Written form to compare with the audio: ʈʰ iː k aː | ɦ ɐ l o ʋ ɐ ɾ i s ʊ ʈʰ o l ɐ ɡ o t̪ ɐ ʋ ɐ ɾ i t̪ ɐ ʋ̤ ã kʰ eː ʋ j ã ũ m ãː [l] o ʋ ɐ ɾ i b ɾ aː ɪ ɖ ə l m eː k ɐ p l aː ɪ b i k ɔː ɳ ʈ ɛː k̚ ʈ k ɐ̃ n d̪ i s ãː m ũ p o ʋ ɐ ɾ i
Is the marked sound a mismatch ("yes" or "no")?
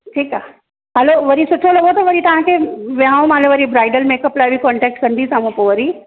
no